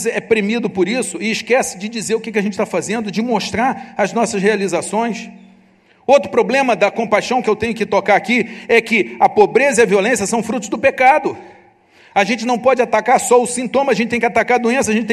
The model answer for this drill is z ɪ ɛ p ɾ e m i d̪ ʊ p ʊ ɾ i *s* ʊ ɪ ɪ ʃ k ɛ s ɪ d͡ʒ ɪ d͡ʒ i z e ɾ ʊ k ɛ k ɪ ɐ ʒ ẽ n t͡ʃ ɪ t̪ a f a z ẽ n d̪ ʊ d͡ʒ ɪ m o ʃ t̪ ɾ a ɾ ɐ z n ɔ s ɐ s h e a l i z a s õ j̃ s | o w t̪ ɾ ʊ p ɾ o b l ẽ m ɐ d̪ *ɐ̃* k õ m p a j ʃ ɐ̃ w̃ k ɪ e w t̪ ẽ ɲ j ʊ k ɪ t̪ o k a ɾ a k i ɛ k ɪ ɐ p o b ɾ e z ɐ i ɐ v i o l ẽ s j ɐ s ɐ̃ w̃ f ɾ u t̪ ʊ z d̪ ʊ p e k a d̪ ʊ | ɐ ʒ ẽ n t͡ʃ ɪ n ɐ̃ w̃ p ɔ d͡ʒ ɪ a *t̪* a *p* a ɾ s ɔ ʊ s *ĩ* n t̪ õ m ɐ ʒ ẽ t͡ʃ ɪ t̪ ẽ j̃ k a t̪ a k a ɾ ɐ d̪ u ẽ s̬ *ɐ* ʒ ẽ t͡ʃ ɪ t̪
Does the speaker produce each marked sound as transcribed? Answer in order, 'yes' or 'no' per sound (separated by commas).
yes, no, yes, no, yes, yes